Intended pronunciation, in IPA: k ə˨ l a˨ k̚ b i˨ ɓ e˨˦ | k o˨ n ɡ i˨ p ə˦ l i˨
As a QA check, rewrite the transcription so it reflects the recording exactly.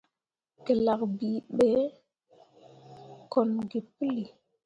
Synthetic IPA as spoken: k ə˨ l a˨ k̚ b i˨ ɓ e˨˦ | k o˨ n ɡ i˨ p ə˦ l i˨